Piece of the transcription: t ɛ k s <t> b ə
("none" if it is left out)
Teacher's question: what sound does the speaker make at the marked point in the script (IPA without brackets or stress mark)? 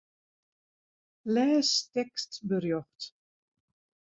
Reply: t